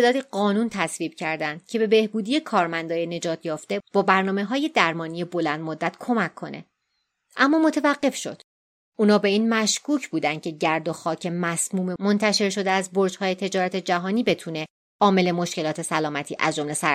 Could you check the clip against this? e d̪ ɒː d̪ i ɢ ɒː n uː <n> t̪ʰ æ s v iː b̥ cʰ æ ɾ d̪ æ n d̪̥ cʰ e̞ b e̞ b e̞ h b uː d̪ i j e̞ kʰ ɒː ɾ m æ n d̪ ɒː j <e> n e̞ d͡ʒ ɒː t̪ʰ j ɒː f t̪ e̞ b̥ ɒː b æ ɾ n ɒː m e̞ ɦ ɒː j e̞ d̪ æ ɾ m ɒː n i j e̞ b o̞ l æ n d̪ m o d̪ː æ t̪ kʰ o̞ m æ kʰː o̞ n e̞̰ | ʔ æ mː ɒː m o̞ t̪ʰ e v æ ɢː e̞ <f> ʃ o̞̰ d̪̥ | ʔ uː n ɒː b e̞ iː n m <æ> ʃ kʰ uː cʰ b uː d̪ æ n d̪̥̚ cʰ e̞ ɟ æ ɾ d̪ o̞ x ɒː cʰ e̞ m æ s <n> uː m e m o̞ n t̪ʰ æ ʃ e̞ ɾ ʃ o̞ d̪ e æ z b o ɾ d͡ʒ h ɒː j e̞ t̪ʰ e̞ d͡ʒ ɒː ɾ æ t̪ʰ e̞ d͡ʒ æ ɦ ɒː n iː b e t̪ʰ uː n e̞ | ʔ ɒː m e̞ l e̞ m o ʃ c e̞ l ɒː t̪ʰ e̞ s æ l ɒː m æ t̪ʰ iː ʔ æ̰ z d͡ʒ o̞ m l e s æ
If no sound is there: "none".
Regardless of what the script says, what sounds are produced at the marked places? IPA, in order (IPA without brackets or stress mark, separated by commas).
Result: n, e, f, æ, m